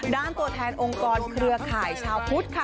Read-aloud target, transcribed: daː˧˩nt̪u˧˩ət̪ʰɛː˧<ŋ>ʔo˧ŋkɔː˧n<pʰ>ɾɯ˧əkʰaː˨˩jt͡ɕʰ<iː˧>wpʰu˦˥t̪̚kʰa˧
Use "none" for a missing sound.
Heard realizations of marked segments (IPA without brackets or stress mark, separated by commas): n, kʰ, aː˧